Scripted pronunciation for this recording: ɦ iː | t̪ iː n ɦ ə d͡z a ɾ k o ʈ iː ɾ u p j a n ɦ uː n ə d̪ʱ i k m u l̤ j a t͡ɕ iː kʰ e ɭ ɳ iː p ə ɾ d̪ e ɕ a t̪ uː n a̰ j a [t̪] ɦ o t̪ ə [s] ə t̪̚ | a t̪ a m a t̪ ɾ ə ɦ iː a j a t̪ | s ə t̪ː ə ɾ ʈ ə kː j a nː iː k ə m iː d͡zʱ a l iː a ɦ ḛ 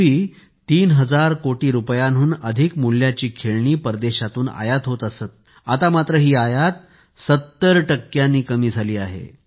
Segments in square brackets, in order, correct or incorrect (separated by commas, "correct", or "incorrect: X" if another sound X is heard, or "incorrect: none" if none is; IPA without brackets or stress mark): correct, correct